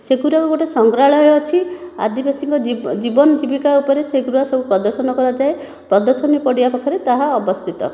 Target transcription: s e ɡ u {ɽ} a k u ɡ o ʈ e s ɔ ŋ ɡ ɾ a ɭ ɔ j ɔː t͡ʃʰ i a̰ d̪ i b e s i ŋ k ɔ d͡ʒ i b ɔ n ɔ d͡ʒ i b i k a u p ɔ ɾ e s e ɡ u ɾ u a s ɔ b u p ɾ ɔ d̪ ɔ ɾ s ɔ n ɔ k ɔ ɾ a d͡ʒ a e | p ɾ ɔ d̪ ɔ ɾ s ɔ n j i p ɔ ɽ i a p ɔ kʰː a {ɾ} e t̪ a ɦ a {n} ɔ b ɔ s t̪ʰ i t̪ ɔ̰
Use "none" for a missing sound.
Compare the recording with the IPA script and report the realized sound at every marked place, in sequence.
ɾ, ɾ, none

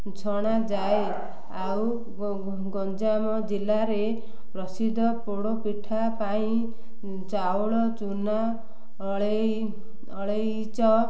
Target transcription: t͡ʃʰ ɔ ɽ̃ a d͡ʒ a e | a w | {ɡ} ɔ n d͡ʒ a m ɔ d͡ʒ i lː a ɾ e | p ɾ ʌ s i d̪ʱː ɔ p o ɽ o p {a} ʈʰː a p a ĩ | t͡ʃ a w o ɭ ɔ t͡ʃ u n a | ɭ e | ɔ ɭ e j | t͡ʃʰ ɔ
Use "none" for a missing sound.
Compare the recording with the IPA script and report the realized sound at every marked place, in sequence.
ɡ, i

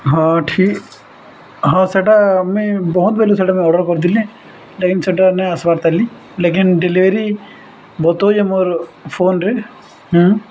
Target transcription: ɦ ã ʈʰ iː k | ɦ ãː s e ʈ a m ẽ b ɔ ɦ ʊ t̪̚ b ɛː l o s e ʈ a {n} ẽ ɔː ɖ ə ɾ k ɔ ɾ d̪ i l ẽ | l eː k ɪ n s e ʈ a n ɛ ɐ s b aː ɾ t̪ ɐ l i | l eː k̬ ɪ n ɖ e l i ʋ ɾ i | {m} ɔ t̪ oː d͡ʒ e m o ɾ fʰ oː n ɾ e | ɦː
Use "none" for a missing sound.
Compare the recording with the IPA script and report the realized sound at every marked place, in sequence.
m, b

